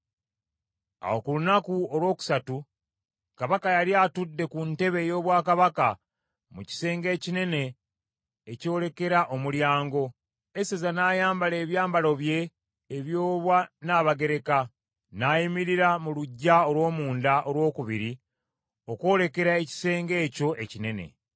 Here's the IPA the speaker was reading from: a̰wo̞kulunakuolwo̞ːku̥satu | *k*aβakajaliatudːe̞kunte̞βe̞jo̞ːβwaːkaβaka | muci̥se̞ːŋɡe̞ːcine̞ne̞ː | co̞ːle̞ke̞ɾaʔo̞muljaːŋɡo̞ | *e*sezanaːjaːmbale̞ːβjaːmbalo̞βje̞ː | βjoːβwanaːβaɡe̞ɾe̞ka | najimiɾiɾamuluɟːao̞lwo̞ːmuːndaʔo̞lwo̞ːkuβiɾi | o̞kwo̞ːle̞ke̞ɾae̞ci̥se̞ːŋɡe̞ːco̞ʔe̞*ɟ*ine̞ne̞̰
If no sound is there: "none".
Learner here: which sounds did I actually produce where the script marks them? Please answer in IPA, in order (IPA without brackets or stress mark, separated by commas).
k, e, c